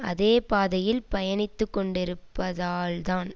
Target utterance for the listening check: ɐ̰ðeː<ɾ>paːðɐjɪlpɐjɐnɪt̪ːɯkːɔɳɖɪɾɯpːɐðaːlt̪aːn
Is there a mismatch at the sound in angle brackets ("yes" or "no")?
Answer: yes